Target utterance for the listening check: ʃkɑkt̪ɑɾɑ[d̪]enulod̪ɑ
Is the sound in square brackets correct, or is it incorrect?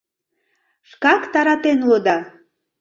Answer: incorrect